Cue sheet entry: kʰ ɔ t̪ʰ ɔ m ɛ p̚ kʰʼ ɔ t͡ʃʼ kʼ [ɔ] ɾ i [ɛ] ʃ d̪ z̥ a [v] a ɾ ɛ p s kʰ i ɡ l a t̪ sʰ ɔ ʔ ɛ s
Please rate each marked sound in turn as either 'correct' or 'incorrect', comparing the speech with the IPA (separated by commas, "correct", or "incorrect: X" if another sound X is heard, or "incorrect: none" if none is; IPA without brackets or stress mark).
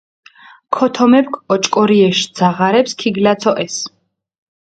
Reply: correct, correct, incorrect: ʁ